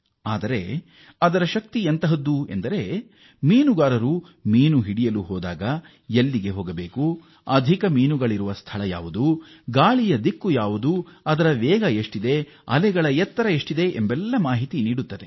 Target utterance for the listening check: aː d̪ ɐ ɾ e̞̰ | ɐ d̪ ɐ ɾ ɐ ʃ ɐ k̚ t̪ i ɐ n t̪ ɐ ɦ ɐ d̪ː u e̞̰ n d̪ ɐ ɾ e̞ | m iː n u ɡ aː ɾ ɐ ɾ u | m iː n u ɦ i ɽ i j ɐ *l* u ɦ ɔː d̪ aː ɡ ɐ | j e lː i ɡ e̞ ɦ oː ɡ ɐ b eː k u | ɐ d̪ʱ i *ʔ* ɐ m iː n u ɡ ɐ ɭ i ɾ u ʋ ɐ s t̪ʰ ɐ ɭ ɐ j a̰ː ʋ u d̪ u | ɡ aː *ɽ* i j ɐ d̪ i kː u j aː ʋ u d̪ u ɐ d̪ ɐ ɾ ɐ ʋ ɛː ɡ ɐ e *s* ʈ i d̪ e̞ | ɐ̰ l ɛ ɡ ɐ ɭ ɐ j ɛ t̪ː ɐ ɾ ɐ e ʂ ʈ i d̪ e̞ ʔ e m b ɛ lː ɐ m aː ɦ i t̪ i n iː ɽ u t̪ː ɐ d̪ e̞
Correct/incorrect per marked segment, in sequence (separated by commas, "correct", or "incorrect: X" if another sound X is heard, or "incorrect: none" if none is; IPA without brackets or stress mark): correct, incorrect: k, incorrect: ɭ, incorrect: ʂ